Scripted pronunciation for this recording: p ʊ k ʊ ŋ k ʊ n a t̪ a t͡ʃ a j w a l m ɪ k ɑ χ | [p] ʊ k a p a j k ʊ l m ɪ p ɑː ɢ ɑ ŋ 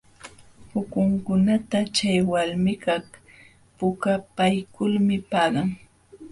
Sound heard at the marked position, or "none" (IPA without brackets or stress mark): p